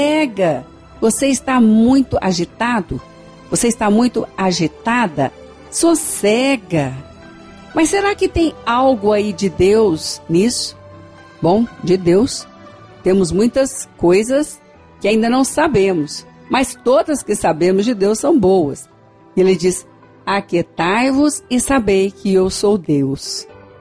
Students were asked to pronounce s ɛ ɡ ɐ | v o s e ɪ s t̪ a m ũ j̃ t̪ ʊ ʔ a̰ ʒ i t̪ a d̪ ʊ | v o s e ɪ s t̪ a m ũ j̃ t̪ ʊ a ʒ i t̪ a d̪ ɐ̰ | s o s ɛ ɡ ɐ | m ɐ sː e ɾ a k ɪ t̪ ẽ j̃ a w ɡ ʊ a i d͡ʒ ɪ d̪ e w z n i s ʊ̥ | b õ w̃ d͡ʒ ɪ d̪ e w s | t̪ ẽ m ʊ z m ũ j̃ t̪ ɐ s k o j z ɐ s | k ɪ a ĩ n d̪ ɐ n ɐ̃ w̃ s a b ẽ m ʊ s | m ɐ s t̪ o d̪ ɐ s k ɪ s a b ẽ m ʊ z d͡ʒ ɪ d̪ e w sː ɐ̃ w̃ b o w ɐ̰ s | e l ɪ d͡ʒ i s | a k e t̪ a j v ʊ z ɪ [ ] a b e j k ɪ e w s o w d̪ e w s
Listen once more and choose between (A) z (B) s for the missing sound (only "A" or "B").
B